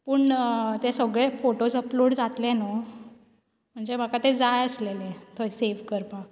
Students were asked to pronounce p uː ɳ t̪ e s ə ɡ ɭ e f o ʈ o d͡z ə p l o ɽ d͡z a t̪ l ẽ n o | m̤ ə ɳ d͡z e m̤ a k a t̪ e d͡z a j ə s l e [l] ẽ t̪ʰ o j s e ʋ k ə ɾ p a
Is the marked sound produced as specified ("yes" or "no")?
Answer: yes